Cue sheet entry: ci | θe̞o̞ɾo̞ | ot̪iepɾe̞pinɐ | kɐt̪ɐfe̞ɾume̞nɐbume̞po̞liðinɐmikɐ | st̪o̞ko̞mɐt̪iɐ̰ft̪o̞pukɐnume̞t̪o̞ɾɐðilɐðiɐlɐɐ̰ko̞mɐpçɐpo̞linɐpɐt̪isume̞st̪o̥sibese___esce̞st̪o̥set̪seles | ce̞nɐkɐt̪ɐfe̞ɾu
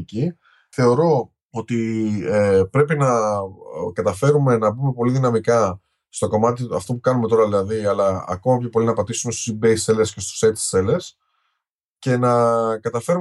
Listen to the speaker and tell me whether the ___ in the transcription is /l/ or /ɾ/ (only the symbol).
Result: l